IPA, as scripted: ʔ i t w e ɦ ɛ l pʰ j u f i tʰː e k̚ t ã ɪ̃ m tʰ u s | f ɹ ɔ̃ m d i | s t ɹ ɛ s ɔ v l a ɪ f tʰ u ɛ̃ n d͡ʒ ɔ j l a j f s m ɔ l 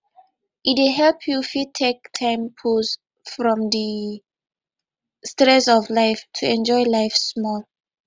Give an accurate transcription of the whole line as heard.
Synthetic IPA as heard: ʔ i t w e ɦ ɛ l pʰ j u f i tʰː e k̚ tʰ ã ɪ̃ m pʰ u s | f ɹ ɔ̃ m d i | s t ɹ ɛ s ɔ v l a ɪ f tʰ u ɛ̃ n d͡ʒ ɔ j l a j f s m ɔ l